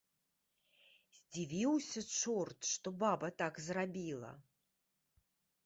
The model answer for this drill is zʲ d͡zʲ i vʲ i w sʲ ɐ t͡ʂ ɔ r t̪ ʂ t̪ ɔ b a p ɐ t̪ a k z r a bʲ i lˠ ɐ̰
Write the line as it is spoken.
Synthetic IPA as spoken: zʲ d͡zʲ i vʲ i w sʲ ɐ t͡ʂ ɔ r t̪ ʂ t̪ ɔ b a b ɐ t̪ a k z r a bʲ i lˠ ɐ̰